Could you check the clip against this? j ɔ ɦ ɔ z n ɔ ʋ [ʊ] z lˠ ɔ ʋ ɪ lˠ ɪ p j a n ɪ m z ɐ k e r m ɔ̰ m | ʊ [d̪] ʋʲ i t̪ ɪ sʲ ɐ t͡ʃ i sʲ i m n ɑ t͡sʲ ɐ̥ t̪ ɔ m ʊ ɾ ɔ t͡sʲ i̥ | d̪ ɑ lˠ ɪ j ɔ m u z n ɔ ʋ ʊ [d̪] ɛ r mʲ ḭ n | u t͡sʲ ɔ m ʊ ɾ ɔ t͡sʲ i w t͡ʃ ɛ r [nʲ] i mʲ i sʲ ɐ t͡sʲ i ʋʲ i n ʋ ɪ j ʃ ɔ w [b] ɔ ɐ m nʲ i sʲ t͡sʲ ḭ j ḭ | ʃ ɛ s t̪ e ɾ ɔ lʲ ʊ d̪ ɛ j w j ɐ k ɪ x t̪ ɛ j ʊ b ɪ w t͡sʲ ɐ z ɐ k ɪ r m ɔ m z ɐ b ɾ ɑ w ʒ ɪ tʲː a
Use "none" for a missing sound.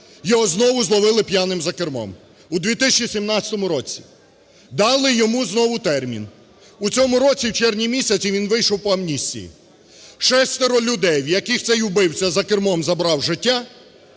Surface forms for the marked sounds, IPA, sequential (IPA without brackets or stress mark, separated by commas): ʊ, d̪, t̪, nʲ, p